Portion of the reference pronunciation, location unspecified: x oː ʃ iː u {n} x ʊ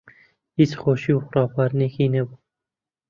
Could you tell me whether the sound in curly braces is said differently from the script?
yes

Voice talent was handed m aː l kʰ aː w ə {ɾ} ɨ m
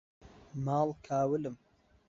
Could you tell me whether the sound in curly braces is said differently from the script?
yes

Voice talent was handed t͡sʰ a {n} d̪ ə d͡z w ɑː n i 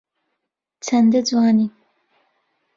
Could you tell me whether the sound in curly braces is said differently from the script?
no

